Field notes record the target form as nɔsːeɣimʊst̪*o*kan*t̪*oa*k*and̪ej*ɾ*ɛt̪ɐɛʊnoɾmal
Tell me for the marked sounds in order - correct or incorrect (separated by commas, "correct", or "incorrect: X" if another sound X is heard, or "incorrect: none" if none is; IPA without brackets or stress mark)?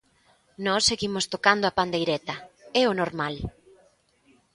correct, incorrect: d̪, incorrect: p, correct